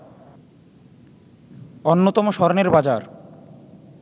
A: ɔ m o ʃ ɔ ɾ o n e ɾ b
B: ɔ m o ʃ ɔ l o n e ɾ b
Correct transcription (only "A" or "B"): A